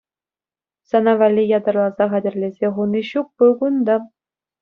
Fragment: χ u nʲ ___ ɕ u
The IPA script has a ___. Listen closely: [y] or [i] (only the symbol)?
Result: i